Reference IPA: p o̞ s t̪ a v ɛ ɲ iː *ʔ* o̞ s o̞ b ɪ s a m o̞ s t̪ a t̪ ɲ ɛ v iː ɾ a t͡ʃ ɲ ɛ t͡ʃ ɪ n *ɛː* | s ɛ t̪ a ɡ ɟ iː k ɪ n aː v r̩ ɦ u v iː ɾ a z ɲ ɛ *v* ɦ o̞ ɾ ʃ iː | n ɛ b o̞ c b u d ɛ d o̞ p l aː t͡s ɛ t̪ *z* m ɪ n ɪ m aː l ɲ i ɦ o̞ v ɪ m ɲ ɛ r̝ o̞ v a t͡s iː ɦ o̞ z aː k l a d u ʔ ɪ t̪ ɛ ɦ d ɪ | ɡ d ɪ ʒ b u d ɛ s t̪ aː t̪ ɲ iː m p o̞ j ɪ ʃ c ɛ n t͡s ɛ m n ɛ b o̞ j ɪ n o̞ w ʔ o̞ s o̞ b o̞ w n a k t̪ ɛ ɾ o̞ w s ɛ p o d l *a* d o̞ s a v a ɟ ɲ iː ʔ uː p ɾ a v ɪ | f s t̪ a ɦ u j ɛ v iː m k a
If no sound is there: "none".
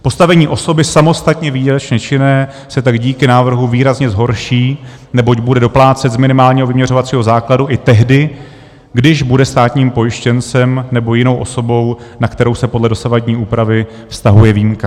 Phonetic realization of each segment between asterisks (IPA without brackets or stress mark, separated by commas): ʔ, ɛː, z, z, ɛ